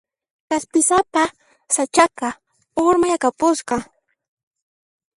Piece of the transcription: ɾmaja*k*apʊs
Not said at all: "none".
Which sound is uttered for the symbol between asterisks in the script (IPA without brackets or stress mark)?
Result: k